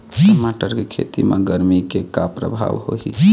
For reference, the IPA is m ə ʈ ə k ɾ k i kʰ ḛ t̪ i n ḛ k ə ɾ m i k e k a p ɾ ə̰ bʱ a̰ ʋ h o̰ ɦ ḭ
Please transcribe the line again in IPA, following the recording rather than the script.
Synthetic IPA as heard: m a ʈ ə ɾ k e kʰ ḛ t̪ i m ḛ ɡ ə ɾ m i k e k a p ɾ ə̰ bʱ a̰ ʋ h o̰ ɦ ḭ